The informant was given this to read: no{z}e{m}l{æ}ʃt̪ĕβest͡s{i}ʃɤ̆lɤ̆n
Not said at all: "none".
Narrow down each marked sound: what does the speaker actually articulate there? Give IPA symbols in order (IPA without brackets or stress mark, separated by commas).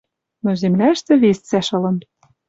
z, m, æ, æ